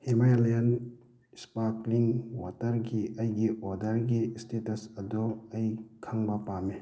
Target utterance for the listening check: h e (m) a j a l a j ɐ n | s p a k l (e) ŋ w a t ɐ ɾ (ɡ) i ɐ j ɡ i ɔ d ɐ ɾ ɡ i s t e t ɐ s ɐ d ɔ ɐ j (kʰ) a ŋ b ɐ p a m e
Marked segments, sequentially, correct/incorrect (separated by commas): correct, incorrect, correct, correct